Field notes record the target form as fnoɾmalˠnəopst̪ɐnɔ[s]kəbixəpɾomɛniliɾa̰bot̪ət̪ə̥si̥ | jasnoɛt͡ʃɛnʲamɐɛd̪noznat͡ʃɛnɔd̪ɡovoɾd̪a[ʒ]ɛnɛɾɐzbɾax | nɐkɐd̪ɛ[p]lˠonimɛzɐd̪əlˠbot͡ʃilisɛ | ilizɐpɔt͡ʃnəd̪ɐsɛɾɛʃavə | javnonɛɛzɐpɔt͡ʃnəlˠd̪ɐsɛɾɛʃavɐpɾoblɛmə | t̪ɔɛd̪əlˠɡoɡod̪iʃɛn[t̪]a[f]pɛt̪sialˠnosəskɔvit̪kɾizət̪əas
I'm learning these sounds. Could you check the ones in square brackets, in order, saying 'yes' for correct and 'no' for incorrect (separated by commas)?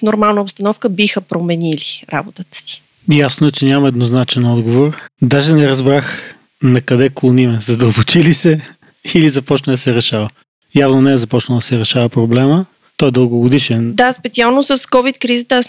no, yes, no, no, no